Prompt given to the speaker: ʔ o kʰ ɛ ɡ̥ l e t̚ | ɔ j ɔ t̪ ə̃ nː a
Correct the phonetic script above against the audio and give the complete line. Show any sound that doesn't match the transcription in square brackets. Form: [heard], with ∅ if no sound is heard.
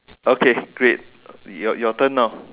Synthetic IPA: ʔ o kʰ [e] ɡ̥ [ɹ] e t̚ | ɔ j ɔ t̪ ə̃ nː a